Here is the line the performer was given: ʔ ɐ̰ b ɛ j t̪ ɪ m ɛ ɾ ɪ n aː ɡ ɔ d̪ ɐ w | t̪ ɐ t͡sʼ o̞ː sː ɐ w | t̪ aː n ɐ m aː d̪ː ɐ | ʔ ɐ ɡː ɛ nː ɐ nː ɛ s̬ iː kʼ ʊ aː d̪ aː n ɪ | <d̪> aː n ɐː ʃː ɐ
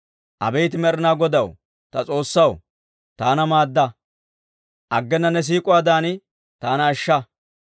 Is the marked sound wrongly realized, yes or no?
yes